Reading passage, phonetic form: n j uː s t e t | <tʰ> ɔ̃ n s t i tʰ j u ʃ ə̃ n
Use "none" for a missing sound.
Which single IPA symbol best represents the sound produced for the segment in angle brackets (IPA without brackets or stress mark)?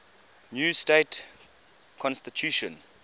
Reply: kʰ